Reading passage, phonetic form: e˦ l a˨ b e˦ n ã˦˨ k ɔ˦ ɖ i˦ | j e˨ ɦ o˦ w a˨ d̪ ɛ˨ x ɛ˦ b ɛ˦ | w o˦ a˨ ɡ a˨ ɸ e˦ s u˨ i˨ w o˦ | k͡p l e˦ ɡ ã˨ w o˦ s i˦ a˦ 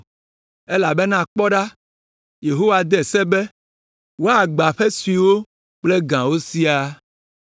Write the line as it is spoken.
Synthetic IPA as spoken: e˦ l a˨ b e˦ n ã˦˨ k͡p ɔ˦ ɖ a˦ | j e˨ ɦ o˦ w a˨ d̪ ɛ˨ s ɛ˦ b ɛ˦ | w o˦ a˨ ɡ͡b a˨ ɸ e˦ s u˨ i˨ w o˦ | k͡p l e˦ ɡ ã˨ w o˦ s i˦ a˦